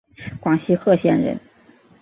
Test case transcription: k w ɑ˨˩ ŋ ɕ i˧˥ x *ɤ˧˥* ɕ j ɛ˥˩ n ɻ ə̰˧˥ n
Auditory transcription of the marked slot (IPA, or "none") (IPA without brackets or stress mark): ɤ˥˧